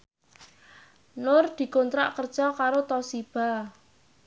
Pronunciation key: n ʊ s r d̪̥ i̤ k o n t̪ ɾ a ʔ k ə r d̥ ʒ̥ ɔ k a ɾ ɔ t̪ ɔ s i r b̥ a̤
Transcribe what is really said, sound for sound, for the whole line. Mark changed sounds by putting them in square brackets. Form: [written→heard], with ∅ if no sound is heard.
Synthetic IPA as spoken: n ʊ [s→∅] r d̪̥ i̤ k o n t̪ ɾ a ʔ k ə r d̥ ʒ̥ ɔ k a ɾ [ɔ→o] t̪ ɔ s i [r→∅] b̥ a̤